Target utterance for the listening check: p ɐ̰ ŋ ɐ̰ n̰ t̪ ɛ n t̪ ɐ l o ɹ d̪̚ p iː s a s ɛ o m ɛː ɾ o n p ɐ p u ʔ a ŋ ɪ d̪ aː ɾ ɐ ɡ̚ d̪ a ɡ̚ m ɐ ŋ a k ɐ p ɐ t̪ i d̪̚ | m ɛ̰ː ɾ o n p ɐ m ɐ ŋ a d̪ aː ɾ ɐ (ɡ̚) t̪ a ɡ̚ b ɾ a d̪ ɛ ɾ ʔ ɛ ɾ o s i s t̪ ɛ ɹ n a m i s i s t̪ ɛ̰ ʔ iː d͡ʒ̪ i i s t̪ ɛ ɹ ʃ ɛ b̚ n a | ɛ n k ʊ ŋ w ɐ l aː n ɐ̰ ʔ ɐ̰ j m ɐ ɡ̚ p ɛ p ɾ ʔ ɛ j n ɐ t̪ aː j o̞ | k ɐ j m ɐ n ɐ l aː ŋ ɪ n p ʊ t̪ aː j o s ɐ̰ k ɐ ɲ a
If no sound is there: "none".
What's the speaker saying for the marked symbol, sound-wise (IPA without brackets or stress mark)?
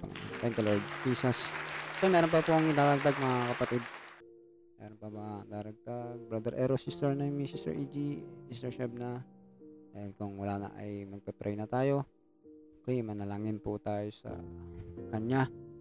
ɡ̚